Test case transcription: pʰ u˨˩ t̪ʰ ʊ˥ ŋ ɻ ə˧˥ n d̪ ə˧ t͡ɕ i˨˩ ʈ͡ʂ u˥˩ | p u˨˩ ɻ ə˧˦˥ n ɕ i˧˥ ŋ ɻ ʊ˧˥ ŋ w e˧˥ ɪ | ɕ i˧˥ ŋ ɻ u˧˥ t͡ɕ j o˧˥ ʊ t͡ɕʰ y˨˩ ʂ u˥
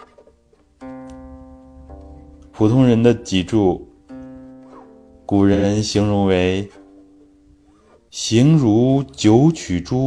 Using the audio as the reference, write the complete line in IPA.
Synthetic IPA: pʰ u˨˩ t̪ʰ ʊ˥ ŋ ɻ ə˧˥ n d̪ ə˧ t͡ɕ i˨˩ ʈ͡ʂ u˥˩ | k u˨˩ ɻ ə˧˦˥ n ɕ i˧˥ ŋ ɻ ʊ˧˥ ŋ w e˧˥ ɪ | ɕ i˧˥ ŋ ɻ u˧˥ t͡ɕ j o˧˥ ʊ t͡ɕʰ y˨˩ ʈ͡ʂ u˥